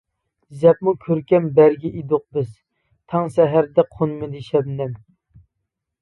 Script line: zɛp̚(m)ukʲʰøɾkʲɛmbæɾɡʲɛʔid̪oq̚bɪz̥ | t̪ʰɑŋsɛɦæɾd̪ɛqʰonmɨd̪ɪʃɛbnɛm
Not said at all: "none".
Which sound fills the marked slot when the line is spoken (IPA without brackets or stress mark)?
m